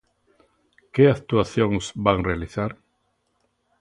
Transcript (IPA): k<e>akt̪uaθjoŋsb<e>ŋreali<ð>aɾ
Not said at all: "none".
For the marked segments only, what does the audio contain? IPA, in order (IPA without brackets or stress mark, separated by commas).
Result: e, a, θ